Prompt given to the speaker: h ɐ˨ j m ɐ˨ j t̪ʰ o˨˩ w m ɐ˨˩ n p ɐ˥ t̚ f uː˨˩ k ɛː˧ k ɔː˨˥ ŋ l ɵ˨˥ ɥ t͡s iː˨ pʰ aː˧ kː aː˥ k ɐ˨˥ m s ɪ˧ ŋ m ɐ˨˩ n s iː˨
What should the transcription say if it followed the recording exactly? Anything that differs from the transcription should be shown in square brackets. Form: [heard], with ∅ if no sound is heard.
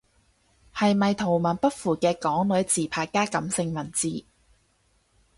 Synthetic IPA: h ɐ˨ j m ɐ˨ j t̪ʰ o˨˩ w m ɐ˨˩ n p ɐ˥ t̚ f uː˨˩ k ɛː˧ k ɔː˨˥ ŋ l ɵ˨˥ ɥ t͡s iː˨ pʰ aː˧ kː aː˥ k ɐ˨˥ m s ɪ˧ ŋ m ɐ˨˩ n [t͡s] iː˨